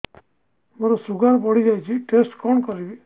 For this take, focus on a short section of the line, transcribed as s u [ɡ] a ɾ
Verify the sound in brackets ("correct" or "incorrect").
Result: correct